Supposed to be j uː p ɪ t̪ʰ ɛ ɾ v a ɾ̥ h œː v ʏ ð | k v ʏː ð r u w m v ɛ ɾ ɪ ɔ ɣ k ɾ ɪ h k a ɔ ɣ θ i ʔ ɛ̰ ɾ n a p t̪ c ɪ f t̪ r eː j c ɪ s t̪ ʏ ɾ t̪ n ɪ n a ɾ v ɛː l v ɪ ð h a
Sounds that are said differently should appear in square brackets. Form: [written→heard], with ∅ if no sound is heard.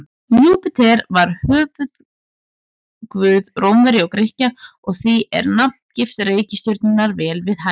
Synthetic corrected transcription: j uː p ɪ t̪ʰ ɛ ɾ v a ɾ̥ h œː v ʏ ð | k v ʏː ð r [u→o] w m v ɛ ɾ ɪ ɔ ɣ k ɾ ɪ h [k→c] a ɔ ɣ θ i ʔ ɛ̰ ɾ n a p t̪ c ɪ f t̪ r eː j c ɪ s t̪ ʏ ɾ t̪ n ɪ n a ɾ v ɛː l v ɪ ð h a